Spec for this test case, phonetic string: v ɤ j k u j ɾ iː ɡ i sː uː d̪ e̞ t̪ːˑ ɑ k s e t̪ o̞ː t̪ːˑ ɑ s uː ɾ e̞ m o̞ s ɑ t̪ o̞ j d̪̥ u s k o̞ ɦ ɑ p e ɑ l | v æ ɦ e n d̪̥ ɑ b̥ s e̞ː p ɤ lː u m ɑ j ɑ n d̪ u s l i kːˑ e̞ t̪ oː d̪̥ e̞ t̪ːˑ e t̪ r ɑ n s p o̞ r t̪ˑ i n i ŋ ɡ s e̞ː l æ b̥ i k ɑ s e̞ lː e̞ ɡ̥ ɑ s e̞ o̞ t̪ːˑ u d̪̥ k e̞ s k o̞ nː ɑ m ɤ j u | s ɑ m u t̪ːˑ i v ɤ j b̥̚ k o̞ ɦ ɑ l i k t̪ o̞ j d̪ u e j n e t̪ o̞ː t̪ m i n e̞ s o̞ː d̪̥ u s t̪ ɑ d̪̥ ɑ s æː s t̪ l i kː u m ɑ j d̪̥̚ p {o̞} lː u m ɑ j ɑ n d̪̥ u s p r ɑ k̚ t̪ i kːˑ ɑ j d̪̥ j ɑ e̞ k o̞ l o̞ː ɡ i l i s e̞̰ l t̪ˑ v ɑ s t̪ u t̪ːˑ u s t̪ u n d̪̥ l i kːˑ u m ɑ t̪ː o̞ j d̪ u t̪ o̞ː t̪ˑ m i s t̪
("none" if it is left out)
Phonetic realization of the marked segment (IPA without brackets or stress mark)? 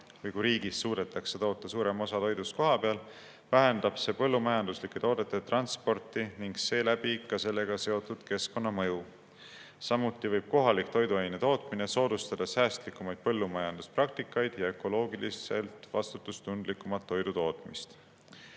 ɤ̞